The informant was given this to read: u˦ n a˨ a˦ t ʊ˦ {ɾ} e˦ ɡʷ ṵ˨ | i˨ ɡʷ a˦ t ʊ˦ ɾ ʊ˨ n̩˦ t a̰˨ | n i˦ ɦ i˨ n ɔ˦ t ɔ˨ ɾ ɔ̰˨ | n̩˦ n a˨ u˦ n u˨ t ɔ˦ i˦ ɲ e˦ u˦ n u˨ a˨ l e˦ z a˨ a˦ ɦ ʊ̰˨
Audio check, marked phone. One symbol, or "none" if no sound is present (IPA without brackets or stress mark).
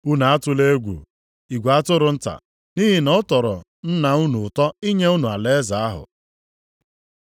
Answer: l